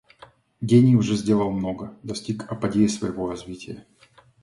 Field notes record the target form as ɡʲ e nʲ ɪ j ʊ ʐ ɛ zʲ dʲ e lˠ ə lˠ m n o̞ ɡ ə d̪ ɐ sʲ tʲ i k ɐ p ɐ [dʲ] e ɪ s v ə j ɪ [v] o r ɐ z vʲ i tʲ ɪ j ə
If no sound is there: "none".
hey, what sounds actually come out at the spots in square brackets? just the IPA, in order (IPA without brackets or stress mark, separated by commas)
dʲ, v